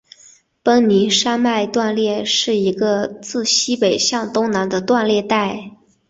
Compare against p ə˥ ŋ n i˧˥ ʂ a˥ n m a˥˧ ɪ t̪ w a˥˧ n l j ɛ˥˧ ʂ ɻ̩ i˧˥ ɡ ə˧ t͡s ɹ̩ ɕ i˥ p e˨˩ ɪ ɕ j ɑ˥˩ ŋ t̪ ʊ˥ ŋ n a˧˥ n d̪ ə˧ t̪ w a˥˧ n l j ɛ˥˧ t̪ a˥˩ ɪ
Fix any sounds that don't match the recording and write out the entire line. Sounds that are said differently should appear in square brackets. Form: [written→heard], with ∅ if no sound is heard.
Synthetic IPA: p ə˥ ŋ n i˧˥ ʂ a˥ n m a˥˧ ɪ t̪ w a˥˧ n l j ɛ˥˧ ʂ ɻ̩ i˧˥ ɡ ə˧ t͡s ɹ̩ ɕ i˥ p e˨˩ ɪ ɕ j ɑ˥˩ ŋ t̪ ʊ˥ ŋ n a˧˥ n d̪ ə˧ t̪ w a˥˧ n l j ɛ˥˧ t̪ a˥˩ ɪ